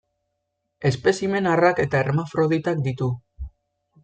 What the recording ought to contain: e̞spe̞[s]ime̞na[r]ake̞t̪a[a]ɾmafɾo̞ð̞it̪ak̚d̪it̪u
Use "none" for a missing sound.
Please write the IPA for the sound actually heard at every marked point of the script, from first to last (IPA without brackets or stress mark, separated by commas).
s, r, e